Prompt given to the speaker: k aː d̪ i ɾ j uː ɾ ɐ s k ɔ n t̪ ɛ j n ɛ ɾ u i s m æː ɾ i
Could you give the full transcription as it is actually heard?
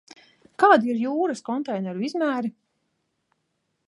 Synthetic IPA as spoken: k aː d̪ i ɾ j uː ɾ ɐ s k ɔ n t̪ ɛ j n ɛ ɾ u i z m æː ɾ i